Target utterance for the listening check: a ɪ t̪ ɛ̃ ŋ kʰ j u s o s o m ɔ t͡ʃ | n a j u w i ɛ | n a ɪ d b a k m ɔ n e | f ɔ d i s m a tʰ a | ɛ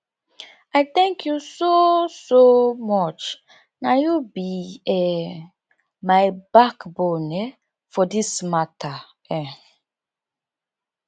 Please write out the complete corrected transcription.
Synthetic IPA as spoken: a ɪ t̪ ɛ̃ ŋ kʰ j u s o s o m ɔ t͡ʃ | n a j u b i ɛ | m a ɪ b a k b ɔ n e | f ɔ d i s m a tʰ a | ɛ